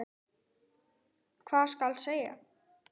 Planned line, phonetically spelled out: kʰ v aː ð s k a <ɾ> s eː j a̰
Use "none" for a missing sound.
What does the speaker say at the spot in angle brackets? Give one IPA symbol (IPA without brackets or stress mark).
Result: l